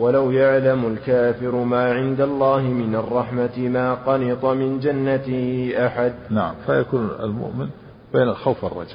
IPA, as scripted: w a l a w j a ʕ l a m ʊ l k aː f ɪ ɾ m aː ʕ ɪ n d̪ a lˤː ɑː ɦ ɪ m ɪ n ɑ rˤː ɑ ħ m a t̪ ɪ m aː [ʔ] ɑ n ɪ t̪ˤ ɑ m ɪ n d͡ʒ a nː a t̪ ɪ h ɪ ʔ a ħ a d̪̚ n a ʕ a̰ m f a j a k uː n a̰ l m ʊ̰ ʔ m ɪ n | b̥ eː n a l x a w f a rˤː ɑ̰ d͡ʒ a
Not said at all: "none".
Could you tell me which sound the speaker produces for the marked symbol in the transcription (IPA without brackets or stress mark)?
q